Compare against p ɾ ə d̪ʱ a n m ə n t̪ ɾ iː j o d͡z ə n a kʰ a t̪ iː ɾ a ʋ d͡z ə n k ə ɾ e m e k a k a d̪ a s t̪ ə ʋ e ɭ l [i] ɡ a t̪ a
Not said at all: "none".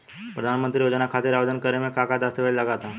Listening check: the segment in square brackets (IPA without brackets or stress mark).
a